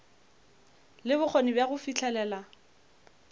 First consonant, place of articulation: alveolar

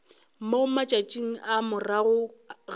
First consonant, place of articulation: labial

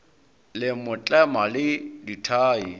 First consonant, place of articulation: alveolar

